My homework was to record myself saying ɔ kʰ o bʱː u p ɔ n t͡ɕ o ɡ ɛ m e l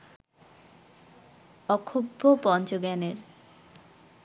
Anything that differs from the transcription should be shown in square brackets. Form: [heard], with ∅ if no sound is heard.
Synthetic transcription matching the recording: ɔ kʰ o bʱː [o] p ɔ n t͡ɕ o ɡ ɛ [n] e [ɾ]